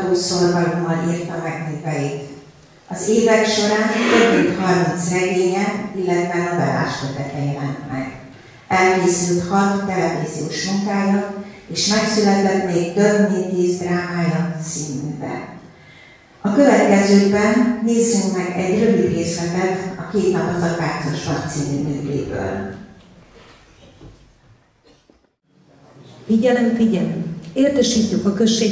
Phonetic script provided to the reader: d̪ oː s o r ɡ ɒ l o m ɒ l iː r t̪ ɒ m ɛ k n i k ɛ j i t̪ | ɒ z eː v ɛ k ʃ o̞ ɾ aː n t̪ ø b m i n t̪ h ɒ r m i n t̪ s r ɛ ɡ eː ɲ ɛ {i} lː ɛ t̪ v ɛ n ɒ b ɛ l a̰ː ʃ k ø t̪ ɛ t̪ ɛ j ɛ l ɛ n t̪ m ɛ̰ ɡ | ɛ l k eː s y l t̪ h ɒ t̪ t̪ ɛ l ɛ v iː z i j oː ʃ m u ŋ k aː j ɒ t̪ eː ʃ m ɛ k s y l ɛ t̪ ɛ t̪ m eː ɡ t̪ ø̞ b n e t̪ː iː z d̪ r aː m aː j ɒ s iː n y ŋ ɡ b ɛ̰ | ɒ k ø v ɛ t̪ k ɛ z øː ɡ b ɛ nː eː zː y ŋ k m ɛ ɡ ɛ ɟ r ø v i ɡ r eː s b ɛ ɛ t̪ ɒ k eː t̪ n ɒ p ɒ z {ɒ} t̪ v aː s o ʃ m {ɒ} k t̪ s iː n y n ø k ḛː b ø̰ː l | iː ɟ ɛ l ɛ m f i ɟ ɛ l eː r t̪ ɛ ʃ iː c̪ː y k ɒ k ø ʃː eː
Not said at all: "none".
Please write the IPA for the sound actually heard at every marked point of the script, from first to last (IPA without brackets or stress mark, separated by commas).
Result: i, ɒ, ɒ